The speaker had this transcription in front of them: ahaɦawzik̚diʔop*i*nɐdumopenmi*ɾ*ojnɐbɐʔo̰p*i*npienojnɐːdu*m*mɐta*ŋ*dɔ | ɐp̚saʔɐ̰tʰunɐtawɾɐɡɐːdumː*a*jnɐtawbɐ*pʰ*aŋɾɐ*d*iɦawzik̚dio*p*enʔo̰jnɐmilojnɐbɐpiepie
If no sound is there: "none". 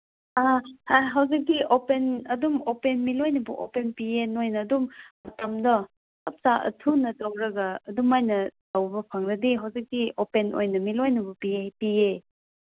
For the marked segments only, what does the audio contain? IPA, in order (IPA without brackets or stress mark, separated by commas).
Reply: e, l, e, m, m, a, pʰ, d, p